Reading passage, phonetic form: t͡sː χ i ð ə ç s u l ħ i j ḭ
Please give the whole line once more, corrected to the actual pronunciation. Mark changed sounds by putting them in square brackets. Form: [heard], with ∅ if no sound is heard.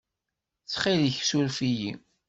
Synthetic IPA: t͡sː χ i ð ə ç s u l [f] i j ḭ